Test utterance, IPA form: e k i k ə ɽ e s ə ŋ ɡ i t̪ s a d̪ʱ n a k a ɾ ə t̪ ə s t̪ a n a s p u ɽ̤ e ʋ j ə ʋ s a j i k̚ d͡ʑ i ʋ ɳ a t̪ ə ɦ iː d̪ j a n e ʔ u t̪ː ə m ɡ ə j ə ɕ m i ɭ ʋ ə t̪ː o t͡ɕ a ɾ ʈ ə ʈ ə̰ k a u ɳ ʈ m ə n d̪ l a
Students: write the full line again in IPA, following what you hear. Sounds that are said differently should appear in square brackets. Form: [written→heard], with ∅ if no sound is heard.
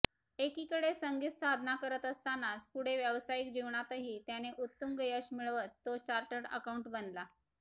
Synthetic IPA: e k i k ə ɽ e s ə ŋ ɡ i t̪ s a d̪ʱ n a k [a→ə] ɾ ə t̪ ə s t̪ a n a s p u ɽ̤ e ʋ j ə ʋ s a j i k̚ d͡ʑ i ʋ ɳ a t̪ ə ɦ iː [d̪→t̪] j a n e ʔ u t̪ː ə m ɡ ə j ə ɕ m i ɭ ʋ ə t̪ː o t͡ɕ a ɾ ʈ ə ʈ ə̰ k a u ɳ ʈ [m→b] ə n d̪ l a